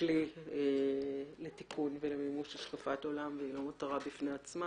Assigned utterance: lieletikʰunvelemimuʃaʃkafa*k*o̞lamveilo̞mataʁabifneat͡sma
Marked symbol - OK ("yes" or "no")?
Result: no